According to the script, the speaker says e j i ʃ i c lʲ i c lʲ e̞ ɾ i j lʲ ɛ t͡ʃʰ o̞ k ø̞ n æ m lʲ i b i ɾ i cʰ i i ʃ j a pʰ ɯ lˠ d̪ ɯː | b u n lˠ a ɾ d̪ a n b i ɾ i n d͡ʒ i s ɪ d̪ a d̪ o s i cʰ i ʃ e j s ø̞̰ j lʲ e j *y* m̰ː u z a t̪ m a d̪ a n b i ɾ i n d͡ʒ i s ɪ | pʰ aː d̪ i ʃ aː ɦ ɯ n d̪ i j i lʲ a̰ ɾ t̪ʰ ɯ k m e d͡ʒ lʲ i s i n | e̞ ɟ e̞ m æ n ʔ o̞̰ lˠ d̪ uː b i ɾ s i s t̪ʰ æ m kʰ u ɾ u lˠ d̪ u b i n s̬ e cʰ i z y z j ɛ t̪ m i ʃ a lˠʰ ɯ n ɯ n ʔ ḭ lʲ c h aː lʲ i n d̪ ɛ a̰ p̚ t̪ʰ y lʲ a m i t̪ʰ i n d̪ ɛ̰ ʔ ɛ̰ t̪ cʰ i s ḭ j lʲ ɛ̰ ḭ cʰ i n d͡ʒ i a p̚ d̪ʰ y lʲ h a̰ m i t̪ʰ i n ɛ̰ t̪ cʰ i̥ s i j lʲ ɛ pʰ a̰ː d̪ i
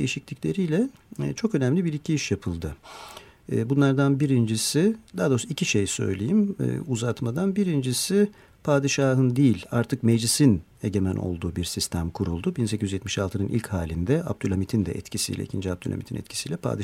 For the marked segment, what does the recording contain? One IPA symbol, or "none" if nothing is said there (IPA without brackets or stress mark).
i